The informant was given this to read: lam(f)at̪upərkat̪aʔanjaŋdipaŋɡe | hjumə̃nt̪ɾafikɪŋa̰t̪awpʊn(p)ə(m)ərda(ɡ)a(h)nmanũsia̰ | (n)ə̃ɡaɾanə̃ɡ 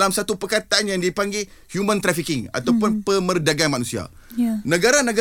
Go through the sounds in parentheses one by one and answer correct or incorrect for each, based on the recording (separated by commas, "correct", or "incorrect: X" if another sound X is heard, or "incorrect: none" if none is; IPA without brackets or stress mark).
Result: incorrect: s, correct, correct, correct, incorrect: none, correct